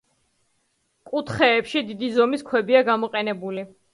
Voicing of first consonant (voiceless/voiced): voiceless